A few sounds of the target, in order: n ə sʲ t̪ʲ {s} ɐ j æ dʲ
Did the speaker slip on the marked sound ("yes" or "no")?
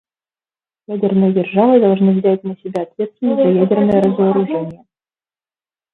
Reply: yes